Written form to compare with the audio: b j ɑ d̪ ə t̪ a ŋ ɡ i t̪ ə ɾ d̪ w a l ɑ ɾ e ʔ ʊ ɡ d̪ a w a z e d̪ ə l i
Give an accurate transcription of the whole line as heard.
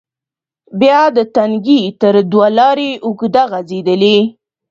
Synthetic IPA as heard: b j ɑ d̪ ə t̪ a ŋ ɡ i t̪ ə ɾ d̪ w a l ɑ ɾ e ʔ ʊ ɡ d̪ a ɣ a z e d̪ ə l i

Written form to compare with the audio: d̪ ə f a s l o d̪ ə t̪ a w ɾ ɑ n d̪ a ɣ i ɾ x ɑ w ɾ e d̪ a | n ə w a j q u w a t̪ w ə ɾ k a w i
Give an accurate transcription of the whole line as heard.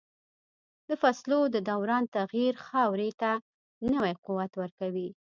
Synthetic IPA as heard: d̪ ə f a s l o d̪ ə d̪ a w ɾ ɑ n t̪ a ɣ i ɾ x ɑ w ɾ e t̪ a | n ə w a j q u w a t̪ w ə ɾ k a w i

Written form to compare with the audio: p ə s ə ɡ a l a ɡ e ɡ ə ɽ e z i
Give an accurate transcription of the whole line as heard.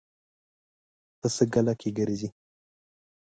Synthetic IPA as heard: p ə s ə ɡ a l a k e ɡ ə ɾ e z i

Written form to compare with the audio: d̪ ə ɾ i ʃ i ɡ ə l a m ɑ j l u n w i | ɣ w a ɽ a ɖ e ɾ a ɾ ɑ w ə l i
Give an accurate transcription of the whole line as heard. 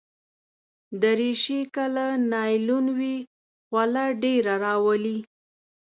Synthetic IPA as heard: d̪ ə ɾ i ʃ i k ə l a n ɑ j l u n w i | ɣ w a l a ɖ e ɾ a ɾ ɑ w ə l i

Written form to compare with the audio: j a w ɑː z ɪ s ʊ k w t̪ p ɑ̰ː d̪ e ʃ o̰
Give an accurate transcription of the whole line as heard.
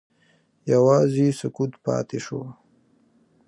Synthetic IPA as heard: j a w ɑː z i s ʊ k u t̪ p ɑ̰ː t̪ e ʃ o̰

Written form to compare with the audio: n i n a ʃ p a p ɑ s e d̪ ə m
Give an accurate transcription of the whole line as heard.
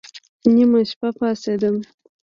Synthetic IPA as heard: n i m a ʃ p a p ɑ s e d̪ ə m

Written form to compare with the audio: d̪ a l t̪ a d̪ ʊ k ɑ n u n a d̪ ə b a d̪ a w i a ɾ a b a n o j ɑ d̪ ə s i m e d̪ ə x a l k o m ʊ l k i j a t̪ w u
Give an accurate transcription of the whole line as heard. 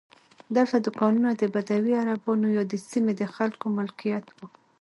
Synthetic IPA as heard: d̪ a l t̪ a d̪ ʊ k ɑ n u n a d̪ ə b a d̪ a w i a ɾ a b ɑ n o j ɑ d̪ ə s i m e d̪ ə x a l k o m ʊ l k i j a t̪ w u

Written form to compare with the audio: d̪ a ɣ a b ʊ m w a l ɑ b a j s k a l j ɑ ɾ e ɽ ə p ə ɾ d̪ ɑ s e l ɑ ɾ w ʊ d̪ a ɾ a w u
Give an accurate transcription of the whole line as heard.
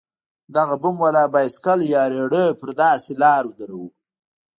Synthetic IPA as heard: d̪ a ɣ a b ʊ m w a l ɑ b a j s k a l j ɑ ɾ e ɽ ə p ə ɾ d̪ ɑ s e l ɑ ɾ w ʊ d̪ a ɾ a w u

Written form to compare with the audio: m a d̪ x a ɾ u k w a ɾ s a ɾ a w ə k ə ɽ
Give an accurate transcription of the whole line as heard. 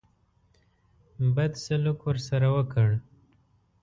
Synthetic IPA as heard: b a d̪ s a l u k w ə ɾ s a ɾ a w ə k ə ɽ

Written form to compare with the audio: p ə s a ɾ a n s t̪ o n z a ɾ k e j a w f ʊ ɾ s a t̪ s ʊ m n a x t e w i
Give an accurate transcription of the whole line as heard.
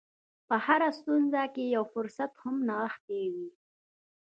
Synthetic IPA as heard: p ə h a ɾ a s t̪ u n z a k e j a w f ʊ ɾ s a t̪ h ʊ m n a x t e w i

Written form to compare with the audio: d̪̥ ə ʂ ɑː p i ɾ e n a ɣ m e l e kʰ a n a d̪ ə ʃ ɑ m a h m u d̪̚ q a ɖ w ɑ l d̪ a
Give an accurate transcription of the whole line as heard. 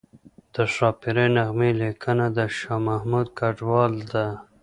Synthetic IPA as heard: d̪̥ ə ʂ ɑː p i ɾ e n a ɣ m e l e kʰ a n a d̪ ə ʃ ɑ m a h m u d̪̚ k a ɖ w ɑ l d̪ a

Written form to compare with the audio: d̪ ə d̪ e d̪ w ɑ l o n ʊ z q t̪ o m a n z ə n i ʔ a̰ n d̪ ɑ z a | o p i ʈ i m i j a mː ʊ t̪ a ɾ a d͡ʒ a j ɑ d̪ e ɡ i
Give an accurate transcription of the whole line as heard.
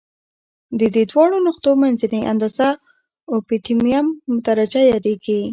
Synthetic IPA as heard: d̪ ə d̪ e d̪ w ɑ ɽ o n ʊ q t̪ o m a n z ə n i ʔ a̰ n d̪ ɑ z a | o p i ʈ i m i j a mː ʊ t̪ a ɾ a d͡ʒ a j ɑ d̪ e ɡ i

